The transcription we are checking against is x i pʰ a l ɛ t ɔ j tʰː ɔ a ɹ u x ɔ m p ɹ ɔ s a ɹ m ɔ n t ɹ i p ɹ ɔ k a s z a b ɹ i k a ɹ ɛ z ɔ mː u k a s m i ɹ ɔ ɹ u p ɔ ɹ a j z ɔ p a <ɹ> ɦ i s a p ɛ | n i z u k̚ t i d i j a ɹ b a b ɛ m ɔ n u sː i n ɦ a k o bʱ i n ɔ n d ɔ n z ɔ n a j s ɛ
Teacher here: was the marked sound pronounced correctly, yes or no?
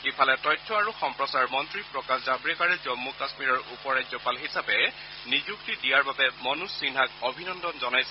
no